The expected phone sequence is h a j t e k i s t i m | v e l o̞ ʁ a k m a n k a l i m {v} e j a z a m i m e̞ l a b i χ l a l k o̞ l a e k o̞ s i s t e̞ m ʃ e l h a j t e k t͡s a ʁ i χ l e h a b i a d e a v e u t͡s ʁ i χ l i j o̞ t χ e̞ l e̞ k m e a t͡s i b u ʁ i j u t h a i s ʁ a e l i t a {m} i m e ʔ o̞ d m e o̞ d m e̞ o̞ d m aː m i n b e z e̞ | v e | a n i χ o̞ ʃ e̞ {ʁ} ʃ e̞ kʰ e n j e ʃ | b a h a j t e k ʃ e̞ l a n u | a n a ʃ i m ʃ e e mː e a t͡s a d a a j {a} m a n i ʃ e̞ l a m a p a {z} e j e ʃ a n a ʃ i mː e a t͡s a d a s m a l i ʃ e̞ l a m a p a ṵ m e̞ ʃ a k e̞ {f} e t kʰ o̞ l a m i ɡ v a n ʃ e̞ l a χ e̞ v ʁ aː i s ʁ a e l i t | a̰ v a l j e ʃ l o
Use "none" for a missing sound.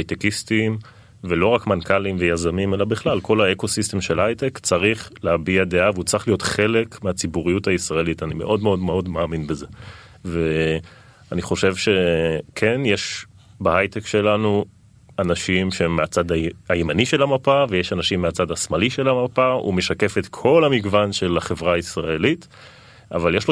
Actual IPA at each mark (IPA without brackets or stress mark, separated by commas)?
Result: v, n, v, e, v, f